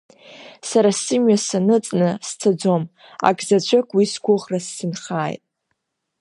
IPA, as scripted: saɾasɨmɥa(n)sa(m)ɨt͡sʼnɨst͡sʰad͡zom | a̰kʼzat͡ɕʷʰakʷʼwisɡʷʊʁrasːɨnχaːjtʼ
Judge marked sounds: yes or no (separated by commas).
no, no